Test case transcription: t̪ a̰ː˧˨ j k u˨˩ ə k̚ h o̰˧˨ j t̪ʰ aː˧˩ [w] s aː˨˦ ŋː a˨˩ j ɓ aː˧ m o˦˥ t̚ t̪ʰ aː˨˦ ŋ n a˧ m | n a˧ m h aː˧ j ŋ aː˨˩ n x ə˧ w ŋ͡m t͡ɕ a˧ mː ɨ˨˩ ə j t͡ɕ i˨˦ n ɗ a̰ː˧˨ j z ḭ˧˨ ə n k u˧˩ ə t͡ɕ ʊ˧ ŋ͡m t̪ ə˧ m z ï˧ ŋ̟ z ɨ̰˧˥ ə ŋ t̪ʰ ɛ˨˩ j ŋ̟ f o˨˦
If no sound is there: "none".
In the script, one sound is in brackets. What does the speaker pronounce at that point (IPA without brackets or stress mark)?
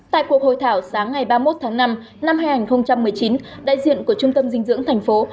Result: w